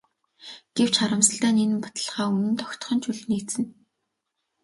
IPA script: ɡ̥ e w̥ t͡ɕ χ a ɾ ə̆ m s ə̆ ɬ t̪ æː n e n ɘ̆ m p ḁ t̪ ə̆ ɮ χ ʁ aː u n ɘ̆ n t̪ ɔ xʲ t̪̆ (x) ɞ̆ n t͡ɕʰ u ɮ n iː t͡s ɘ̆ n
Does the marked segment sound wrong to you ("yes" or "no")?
yes